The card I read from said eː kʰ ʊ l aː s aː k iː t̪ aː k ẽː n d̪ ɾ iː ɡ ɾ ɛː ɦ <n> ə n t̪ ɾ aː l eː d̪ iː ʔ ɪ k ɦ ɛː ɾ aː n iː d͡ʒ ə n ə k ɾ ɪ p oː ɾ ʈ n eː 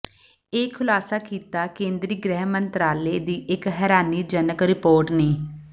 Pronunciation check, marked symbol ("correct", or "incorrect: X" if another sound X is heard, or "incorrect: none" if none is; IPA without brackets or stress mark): incorrect: m